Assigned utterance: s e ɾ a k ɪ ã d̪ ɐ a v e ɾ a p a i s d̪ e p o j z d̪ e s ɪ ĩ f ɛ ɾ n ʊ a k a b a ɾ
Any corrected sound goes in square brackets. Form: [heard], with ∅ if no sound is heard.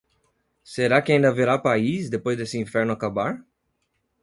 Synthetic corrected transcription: s e ɾ a k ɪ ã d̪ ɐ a v e ɾ a p a i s d̪ e p o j z d̪ e s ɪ ĩ f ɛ ɾ n ʊ a k a b a ɾ